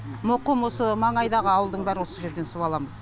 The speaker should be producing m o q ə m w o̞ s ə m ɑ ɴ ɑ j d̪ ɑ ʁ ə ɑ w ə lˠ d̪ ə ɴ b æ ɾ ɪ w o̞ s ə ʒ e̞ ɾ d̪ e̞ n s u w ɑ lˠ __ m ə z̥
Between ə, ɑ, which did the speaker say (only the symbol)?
ɑ